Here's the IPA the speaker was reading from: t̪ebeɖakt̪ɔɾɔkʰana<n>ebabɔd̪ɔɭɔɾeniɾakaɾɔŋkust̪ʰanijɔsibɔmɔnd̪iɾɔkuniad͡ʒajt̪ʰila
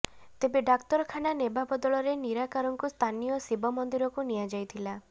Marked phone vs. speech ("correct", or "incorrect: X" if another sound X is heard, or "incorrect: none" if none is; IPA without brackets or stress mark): correct